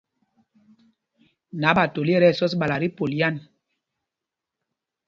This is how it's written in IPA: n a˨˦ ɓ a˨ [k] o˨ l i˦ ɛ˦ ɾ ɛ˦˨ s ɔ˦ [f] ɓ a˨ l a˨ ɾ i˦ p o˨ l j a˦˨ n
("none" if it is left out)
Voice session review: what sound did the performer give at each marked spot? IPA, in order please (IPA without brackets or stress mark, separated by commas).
t, s